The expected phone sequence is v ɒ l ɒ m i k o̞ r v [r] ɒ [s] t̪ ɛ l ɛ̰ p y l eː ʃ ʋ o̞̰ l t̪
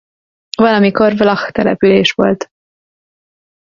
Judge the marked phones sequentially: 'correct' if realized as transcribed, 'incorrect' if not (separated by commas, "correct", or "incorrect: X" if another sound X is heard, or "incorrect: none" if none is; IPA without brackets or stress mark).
incorrect: l, incorrect: x